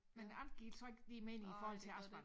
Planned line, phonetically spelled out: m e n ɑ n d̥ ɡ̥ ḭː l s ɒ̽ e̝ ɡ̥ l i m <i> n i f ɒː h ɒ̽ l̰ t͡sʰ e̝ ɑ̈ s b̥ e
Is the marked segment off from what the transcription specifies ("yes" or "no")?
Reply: yes